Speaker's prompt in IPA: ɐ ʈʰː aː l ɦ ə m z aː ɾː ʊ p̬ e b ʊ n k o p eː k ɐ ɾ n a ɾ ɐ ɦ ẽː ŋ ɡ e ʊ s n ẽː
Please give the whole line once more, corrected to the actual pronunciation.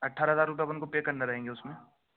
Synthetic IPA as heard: ɐ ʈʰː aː ɾ ɦ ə z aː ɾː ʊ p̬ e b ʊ n k o p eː k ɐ ɾ n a ɾ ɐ ɦ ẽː ŋ ɡ e ʊ s m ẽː